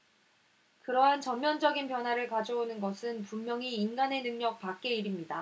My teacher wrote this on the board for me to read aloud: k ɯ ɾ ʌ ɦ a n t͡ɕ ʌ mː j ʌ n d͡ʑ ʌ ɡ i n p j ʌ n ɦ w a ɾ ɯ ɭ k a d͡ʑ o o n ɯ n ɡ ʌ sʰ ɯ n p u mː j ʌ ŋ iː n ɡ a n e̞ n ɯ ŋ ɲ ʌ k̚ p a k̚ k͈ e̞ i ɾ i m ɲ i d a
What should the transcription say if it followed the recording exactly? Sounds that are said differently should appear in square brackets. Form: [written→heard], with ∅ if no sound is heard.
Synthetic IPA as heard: k ɯ ɾ ʌ ɦ a n t͡ɕ ʌ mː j ʌ n d͡ʑ ʌ ɡ i n p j ʌ n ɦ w a ɾ ɯ ɭ k a d͡ʑ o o n ɯ n ɡ ʌ sʰ ɯ n p u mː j ʌ ŋ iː n ɡ a n e̞ n ɯ ŋ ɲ ʌ k̚ p a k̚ k͈ e̞ i ɾ i m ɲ i d a